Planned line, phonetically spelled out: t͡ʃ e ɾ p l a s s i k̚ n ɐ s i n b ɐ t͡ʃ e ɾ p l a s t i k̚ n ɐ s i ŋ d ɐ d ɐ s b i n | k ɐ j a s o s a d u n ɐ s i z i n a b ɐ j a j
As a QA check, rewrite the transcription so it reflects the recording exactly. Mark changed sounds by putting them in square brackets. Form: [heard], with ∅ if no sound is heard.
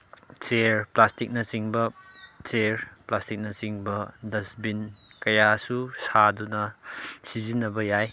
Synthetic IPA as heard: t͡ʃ e ɾ p l a s [t] i k̚ n ɐ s i [ŋ] b ɐ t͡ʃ e ɾ p l a s t i k̚ n ɐ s i ŋ [b] ɐ d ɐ s b i n | k ɐ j a s [u] s a d u n ɐ s i z i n [ɐ] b ɐ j a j